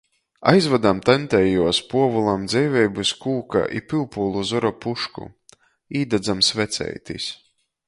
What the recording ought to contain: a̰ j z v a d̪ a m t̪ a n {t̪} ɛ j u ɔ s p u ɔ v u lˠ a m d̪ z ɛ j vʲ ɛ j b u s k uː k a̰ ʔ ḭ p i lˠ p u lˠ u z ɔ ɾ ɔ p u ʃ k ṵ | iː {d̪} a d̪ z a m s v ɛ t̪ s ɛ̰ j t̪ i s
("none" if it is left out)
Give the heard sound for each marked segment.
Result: t̪, d̪

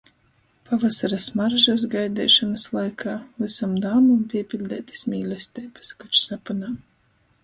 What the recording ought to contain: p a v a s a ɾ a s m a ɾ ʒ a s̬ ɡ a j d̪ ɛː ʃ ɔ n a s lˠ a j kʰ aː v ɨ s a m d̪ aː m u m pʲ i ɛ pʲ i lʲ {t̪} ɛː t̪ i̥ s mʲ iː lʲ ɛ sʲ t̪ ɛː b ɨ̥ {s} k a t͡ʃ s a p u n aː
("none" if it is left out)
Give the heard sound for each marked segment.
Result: d̪, s

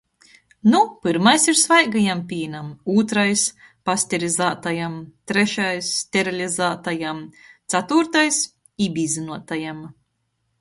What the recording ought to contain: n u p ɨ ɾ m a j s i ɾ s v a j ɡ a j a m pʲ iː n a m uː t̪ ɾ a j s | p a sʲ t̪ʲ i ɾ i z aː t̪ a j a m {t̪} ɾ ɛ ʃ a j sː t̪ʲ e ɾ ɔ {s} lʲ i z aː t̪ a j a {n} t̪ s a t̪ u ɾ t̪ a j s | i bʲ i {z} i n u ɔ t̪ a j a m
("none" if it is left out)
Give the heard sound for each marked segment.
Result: t̪, none, m, z

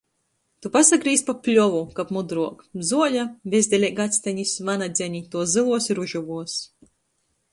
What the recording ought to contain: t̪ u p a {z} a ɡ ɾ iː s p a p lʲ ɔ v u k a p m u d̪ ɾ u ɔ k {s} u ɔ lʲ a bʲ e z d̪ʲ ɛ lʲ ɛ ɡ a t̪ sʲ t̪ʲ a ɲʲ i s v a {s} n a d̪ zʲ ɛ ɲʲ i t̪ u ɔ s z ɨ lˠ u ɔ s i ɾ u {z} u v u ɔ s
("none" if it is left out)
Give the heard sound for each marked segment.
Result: s, z, none, ʒ

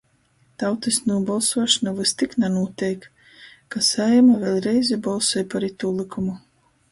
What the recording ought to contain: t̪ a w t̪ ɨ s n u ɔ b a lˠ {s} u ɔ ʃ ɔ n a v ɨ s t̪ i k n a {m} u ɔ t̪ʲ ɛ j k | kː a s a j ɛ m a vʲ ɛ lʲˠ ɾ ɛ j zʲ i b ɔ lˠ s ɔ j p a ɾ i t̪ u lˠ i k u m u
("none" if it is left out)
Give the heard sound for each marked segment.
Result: s, n

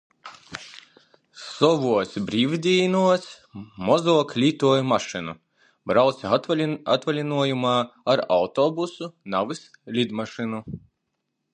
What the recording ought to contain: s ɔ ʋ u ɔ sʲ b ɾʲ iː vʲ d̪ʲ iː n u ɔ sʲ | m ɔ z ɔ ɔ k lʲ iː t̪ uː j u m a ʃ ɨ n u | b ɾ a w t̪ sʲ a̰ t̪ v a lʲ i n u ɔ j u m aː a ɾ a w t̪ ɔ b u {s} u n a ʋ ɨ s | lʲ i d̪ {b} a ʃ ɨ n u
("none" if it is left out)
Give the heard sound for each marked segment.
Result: s, m

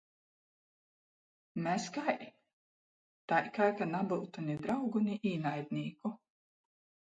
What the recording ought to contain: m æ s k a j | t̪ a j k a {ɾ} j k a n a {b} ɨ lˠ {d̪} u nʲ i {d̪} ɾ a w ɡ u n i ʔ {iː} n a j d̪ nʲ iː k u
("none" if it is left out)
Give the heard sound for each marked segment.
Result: none, b, t̪, d̪, iː

